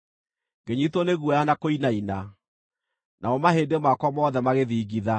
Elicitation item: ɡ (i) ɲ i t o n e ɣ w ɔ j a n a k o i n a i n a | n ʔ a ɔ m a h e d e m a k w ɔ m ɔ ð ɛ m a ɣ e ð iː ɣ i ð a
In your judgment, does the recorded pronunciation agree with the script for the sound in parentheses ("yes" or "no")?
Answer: no